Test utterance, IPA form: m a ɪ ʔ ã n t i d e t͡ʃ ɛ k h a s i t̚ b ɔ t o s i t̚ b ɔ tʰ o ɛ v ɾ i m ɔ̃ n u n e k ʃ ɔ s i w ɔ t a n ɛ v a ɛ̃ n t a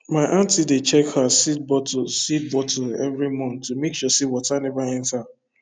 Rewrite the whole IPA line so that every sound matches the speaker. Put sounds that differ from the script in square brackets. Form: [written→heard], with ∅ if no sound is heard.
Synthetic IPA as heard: m a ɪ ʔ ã n t i d e t͡ʃ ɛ k h a s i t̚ b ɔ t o s i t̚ b ɔ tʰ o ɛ v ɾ i m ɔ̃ n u [n→m] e k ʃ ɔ s i w ɔ t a n ɛ v a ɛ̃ n t a